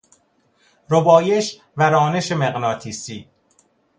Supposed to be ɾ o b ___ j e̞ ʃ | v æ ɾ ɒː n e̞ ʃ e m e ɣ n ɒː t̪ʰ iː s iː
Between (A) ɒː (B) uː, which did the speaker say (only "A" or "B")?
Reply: A